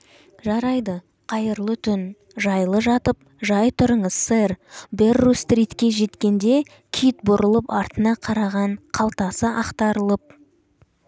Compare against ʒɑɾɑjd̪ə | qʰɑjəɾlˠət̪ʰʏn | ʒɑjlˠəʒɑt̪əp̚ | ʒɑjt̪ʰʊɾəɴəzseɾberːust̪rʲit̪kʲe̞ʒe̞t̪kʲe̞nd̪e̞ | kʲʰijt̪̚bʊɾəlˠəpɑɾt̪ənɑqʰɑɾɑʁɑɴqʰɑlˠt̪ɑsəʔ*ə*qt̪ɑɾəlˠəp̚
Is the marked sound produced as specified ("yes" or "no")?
no